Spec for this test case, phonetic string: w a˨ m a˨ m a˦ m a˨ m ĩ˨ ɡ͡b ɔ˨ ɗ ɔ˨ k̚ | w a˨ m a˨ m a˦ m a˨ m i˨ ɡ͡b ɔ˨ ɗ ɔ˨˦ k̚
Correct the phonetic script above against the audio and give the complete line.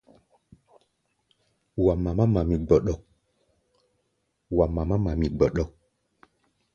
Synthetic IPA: w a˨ m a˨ m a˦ m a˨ m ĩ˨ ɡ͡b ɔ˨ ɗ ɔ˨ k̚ | w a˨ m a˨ m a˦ m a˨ m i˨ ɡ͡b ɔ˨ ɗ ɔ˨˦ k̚